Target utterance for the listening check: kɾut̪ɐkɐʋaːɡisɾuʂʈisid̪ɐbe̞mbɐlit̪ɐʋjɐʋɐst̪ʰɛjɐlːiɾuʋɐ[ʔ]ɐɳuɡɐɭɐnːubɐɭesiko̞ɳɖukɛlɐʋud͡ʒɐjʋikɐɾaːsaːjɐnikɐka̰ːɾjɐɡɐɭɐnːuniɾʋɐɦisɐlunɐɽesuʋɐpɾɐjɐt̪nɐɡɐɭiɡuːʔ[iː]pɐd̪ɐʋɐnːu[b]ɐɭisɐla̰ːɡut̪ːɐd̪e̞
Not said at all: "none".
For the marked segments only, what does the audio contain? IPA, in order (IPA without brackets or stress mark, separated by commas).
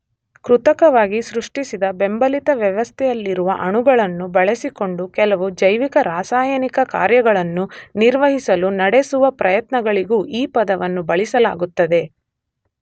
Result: ʔ, iː, b